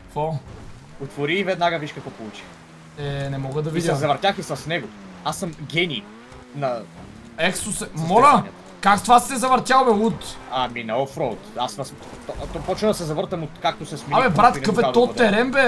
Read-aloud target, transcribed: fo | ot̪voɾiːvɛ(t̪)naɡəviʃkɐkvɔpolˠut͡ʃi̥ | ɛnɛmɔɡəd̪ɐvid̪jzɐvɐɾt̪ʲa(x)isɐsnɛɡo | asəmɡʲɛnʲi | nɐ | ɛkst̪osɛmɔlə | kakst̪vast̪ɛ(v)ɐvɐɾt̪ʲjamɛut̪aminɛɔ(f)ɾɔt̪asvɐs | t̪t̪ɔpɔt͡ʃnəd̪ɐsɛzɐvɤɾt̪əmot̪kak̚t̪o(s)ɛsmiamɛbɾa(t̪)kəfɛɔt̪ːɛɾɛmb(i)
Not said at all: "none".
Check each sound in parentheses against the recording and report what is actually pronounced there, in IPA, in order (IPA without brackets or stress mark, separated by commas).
d̪, x, z, f, s, t̪, ɛ